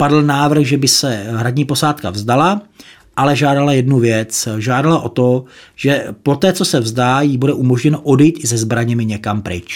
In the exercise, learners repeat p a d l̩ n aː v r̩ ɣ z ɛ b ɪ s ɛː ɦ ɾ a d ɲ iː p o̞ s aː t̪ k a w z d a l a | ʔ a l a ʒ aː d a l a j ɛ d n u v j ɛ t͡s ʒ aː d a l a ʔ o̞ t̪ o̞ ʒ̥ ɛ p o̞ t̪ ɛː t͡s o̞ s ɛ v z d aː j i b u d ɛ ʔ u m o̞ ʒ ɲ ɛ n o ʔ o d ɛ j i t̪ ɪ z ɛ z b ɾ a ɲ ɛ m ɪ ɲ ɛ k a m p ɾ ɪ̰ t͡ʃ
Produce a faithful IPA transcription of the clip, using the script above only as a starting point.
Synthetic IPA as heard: p a d l̩ n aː v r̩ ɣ ʒ ɛ b ɪ s ɛ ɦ ɾ a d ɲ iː p o̞ s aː t̪ k a v z d a l a | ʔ a l ɛ ʒ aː d a l a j ɛ d n u v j ɛ t͡s ʒ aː d a l a ʔ o̞ t̪ o̞ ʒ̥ ɛ p o̞ t̪ ɛː t͡s o̞ s ɛ v z d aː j i b u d ɛ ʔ u m o̞ ʒ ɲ ɛ n o ʔ o d ɛ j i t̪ ɪ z ɛ z b ɾ a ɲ ɛ m ɪ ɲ ɛ k a m p ɾ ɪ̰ t͡ʃ